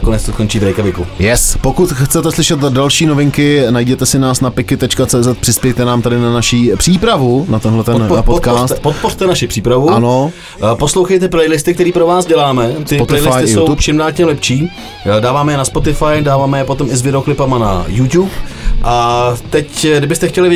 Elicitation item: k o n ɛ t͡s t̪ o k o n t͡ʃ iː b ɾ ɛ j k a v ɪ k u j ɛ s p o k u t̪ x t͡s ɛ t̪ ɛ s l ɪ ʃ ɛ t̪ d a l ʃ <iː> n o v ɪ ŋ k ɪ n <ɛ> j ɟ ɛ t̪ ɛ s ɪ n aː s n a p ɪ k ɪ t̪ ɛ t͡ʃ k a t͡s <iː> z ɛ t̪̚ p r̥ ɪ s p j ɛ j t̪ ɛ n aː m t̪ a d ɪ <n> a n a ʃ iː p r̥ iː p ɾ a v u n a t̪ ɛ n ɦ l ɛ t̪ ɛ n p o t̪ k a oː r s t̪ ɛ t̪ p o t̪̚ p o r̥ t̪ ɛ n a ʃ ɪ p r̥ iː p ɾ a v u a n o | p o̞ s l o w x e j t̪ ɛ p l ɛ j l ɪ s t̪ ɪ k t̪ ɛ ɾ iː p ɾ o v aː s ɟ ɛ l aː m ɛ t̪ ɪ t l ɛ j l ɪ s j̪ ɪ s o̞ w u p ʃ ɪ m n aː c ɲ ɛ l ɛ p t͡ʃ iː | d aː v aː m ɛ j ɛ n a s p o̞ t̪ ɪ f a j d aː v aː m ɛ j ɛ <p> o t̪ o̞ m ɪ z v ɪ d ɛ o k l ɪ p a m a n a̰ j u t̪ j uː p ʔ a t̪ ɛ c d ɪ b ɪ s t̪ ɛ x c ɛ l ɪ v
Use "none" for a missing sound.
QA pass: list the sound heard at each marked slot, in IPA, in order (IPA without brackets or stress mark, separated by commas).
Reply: iː, a, ɛː, n, p